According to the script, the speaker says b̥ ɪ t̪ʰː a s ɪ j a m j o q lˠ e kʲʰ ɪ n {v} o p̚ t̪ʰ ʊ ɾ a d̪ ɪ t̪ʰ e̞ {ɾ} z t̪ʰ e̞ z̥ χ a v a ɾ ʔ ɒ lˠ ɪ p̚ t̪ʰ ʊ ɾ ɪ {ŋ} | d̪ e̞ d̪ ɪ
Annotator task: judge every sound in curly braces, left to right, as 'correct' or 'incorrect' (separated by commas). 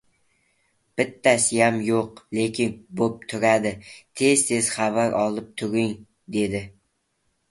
incorrect, incorrect, correct